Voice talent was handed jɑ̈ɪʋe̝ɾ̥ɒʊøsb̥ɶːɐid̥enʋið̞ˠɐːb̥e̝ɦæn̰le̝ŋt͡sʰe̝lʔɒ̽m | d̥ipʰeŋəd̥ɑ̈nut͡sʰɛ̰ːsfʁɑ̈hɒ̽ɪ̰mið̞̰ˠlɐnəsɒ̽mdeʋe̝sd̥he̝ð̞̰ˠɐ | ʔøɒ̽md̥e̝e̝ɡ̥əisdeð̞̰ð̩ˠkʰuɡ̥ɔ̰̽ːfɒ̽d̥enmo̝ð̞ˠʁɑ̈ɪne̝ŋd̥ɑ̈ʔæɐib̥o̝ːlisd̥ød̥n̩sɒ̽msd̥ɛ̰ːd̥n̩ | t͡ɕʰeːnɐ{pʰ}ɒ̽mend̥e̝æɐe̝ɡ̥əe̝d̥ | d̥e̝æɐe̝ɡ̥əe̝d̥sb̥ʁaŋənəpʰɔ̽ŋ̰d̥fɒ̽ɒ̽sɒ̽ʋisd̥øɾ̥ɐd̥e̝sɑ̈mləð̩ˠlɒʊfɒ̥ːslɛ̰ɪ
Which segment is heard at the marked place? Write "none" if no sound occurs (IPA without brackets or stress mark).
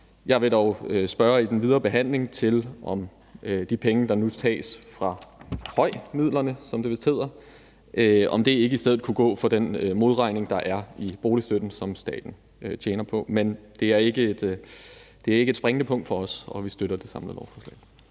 pʰ